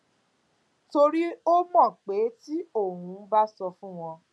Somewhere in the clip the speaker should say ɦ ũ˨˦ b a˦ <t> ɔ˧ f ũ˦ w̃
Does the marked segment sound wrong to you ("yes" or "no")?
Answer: yes